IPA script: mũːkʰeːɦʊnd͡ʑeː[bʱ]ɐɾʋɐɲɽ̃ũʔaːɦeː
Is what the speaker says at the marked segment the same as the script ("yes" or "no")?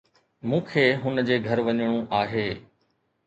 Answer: no